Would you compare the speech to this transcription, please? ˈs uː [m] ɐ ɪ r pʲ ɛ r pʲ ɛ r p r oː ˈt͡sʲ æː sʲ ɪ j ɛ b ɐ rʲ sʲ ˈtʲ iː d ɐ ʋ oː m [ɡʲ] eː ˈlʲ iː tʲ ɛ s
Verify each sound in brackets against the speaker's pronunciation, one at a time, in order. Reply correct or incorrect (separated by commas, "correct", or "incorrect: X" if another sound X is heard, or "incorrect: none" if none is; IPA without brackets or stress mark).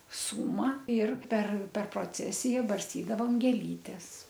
correct, correct